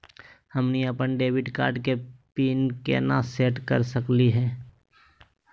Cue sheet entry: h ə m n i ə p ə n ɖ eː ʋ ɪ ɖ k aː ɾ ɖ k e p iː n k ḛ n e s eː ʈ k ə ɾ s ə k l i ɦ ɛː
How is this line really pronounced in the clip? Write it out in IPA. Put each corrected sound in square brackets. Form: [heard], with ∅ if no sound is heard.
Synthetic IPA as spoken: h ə m n i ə p ə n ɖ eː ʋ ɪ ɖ k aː ɾ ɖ k e p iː n k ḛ n [a] s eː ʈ k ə ɾ s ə k l i ɦ ɛː